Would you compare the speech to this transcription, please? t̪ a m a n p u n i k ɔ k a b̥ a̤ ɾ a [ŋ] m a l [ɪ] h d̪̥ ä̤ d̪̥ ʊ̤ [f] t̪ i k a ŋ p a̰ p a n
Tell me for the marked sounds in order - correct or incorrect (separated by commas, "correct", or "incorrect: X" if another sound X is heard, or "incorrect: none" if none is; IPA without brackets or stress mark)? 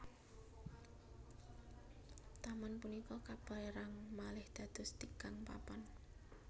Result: correct, correct, incorrect: s